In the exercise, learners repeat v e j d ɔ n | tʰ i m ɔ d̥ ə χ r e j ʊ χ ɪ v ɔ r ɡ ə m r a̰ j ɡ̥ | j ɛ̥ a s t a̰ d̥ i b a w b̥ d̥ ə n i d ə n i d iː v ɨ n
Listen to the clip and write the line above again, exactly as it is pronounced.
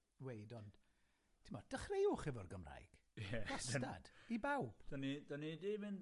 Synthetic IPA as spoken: w e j d ɔ n | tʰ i m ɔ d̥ ə χ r e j ʊ χ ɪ v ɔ r ɡ ə m r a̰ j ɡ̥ | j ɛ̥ a s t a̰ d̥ i b a w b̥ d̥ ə n i d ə n i d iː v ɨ n